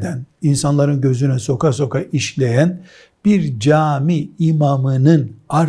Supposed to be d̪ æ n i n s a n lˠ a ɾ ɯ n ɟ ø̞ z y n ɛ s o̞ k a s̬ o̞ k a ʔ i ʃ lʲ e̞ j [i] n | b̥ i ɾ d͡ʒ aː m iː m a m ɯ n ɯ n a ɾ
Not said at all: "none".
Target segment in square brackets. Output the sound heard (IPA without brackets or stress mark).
æ